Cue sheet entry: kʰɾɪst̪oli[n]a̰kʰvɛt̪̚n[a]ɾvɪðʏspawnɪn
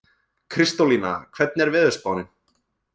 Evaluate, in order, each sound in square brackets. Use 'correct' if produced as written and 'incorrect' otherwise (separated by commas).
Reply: correct, incorrect